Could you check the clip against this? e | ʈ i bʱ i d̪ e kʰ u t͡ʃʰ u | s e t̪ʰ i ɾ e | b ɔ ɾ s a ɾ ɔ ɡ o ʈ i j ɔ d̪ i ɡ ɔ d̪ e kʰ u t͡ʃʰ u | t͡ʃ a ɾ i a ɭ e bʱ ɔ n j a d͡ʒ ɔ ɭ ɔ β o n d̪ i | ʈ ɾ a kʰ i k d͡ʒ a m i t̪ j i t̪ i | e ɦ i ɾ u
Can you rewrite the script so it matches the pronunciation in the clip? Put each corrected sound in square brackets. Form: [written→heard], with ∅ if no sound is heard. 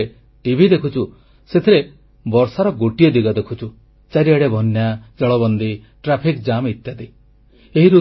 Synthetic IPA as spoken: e | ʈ i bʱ i d̪ e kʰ u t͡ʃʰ u | s e t̪ʰ i ɾ e | b ɔ ɾ s a ɾ ɔ ɡ o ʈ i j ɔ d̪ i ɡ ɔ d̪ e kʰ u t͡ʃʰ u | t͡ʃ a ɾ i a [ɭ→ɽ] e bʱ ɔ n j a d͡ʒ ɔ ɭ ɔ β [o→ɔ] n d̪ i | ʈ ɾ a [kʰ→pʰ] i k d͡ʒ a m i t̪ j [i→a] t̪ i | e ɦ i ɾ u